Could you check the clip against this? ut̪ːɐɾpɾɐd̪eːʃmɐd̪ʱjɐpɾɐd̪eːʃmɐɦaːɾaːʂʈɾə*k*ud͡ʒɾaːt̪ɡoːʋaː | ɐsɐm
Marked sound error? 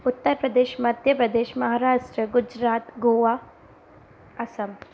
yes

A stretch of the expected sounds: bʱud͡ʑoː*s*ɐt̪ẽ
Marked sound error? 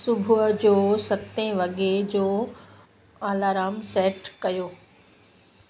no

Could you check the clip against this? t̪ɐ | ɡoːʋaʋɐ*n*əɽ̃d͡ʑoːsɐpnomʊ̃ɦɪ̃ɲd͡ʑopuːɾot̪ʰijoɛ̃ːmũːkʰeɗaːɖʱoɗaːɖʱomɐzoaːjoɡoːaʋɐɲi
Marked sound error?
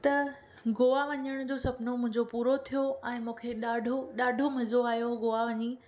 yes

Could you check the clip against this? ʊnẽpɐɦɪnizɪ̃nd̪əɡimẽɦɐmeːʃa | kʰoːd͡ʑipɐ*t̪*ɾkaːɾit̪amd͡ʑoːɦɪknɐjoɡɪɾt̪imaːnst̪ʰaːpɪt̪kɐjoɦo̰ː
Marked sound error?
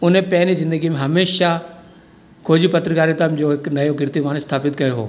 no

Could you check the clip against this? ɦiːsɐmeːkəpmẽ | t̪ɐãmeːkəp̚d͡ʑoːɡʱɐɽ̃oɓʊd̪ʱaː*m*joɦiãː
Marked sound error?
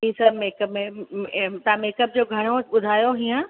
yes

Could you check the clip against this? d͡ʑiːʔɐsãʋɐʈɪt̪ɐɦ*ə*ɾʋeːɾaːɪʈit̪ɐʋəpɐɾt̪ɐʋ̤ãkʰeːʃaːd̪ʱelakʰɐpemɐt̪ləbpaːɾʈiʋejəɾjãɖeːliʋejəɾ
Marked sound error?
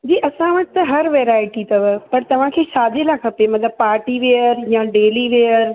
yes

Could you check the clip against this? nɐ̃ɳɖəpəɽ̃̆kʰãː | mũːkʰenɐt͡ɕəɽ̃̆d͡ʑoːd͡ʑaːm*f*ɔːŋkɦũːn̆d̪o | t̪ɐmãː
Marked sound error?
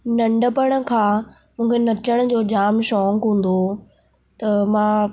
yes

